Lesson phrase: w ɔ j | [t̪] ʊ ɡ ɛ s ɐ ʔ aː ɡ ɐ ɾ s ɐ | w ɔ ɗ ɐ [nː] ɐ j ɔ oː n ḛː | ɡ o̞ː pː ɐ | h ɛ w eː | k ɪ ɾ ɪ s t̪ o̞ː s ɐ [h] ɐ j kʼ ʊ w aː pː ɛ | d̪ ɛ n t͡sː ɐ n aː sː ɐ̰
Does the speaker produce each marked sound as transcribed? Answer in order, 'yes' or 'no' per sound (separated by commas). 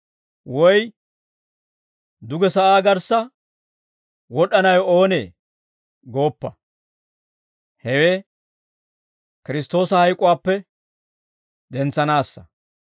no, no, yes